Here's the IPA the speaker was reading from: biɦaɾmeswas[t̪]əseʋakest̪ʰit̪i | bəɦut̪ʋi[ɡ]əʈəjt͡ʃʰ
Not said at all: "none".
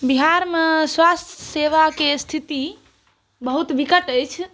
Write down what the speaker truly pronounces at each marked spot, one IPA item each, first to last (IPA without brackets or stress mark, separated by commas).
t̪ʰ, k